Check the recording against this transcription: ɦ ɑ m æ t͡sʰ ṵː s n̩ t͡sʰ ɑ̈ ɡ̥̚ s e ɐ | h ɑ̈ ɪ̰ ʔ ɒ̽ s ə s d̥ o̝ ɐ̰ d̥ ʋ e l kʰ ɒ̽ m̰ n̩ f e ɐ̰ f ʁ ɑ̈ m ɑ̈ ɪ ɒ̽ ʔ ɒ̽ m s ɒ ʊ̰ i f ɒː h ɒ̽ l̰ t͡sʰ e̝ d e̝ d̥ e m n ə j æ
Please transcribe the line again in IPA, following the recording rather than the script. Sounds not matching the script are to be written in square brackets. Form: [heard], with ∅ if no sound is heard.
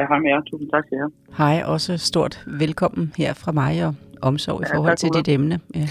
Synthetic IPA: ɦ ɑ m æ t͡sʰ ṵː s n̩ t͡sʰ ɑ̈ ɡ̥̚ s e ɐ | h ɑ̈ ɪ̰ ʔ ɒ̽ s ə s d̥ o̝ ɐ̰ d̥ ʋ e l kʰ ɒ̽ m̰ n̩ [h] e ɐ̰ f ʁ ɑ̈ m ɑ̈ ɪ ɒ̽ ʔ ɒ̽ m s ɒ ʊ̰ i f ɒː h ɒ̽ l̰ t͡sʰ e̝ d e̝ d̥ e m n ə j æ